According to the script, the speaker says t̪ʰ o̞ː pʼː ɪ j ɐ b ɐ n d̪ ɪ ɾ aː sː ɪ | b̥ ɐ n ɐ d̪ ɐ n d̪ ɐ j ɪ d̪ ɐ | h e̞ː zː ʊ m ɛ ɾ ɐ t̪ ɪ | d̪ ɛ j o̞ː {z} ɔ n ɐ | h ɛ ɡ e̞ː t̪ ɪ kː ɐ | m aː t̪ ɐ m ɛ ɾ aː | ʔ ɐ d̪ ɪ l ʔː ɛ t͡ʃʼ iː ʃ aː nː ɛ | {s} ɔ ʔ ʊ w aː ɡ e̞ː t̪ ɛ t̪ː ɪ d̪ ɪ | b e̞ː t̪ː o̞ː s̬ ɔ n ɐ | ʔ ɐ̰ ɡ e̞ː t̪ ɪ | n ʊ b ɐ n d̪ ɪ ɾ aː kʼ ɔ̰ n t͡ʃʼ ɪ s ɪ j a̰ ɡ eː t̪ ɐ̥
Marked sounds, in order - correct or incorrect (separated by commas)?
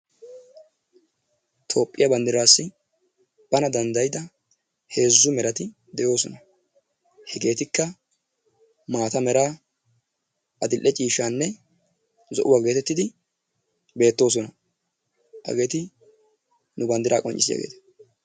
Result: incorrect, incorrect